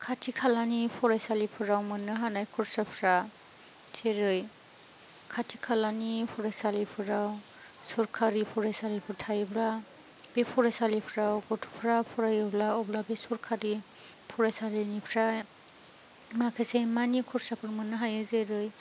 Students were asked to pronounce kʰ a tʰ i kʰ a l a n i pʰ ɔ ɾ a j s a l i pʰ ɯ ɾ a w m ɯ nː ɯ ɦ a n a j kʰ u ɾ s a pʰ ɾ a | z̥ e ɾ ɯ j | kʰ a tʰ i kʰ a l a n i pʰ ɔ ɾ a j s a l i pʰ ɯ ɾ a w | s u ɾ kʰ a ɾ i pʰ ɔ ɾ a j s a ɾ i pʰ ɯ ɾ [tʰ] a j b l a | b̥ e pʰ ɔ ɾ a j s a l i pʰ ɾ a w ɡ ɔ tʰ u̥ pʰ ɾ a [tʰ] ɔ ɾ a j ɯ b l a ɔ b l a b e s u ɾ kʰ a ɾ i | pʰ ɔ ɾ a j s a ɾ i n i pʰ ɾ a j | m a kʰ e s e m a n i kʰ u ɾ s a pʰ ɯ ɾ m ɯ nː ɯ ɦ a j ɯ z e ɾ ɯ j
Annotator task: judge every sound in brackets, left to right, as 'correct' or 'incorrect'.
correct, incorrect

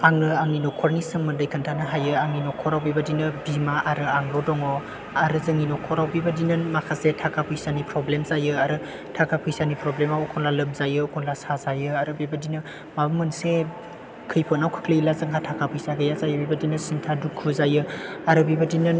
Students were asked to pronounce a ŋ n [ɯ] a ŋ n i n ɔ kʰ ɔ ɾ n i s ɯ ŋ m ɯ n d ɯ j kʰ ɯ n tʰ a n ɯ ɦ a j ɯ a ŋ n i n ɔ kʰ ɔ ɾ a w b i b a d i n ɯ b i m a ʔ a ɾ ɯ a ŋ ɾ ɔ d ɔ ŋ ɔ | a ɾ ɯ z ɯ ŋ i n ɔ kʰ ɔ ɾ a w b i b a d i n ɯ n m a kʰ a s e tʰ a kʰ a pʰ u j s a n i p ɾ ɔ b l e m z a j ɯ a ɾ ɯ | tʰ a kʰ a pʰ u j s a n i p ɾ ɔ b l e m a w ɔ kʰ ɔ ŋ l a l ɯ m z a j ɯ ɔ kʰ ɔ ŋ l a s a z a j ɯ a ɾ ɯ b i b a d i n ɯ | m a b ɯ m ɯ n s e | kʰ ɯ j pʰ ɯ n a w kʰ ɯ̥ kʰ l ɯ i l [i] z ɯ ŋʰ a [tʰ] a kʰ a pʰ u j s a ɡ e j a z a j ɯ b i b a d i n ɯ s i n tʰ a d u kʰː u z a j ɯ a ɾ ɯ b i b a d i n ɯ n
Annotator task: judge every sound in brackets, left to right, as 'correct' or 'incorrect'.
correct, incorrect, correct

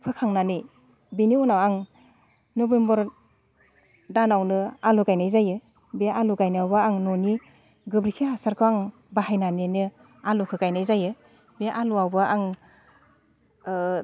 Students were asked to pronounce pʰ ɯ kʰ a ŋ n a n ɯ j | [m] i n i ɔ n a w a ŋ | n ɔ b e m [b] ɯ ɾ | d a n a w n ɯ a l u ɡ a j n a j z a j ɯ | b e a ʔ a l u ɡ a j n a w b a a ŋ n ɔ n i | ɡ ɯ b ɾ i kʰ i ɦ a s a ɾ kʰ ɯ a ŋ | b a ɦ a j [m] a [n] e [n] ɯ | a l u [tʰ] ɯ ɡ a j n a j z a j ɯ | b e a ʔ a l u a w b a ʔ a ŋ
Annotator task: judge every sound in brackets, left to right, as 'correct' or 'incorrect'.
incorrect, correct, incorrect, correct, correct, incorrect

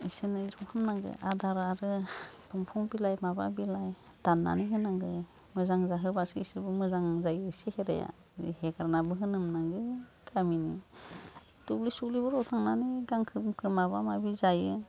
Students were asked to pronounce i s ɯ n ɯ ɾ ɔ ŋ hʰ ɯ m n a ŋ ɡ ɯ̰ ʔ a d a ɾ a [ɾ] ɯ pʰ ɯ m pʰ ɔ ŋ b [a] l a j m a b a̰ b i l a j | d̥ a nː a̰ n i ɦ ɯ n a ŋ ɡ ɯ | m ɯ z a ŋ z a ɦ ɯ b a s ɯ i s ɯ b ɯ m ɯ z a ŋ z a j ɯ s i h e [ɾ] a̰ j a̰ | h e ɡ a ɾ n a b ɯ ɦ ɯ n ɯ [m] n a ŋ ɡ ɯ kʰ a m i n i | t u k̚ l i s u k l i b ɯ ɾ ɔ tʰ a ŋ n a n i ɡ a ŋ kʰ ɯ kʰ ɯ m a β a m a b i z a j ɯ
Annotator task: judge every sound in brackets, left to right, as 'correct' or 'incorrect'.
correct, incorrect, correct, correct

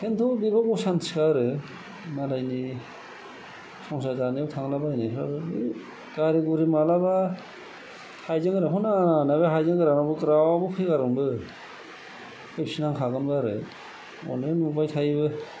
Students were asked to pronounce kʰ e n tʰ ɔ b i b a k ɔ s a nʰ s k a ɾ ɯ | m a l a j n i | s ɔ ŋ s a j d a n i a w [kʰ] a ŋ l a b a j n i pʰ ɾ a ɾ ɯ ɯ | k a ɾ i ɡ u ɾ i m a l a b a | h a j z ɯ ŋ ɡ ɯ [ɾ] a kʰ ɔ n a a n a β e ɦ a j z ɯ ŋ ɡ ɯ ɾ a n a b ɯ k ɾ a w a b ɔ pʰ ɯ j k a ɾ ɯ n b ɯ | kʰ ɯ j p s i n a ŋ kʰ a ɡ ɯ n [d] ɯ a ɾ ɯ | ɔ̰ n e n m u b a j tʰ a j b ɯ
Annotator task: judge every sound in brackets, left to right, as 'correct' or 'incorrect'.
incorrect, correct, incorrect

